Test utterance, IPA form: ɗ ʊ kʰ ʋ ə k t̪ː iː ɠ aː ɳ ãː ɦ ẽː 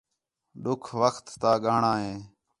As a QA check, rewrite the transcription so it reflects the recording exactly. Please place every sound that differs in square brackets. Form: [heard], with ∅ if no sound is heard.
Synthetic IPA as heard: ɗ ʊ kʰ ʋ ə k t̪ː [aː] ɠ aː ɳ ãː ɦ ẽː